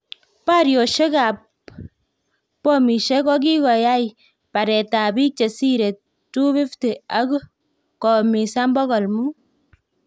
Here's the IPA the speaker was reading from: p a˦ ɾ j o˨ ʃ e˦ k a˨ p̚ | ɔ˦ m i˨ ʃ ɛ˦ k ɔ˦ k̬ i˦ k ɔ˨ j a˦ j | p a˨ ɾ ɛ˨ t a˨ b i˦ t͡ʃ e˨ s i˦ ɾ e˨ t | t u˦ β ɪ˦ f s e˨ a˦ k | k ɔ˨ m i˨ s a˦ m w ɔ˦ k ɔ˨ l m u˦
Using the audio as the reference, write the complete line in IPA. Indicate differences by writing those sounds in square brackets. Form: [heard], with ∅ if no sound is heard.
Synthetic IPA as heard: p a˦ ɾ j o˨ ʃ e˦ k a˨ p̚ | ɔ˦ m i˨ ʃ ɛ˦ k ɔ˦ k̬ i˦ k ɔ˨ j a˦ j | p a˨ ɾ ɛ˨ t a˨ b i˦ t͡ʃ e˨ s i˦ ɾ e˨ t | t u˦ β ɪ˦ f [t] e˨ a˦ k | k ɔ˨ m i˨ s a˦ m [b] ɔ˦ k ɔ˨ l m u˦